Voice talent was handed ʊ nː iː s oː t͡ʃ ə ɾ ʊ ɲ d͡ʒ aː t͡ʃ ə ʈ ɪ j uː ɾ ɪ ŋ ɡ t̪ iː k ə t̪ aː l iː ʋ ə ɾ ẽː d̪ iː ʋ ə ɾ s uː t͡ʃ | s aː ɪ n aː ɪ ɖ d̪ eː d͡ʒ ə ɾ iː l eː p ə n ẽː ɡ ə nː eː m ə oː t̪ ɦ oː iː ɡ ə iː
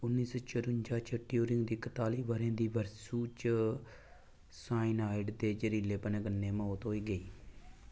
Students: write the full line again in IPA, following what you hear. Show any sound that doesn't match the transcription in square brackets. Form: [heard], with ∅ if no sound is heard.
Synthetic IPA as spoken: ʊ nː iː s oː t͡ʃ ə ɾ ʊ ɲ d͡ʒ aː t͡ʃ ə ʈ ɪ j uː ɾ ɪ ŋ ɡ [d̪] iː k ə t̪ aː l iː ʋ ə ɾ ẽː d̪ iː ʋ ə ɾ s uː t͡ʃ | s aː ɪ n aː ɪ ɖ d̪ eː d͡ʒ ə ɾ iː l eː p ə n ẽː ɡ ə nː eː m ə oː t̪ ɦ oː iː ɡ ə iː